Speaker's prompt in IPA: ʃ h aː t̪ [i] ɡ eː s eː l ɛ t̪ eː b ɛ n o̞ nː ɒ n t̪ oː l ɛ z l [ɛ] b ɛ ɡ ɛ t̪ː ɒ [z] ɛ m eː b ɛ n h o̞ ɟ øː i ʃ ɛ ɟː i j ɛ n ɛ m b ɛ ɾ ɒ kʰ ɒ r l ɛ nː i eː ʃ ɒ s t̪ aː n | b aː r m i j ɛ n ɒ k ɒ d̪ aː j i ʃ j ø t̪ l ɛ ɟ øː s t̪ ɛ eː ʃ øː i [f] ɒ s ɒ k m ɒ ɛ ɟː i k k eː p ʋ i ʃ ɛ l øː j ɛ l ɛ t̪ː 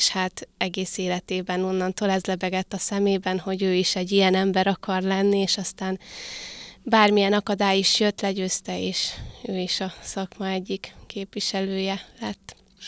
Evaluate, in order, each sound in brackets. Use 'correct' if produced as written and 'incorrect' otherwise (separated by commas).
incorrect, correct, incorrect, incorrect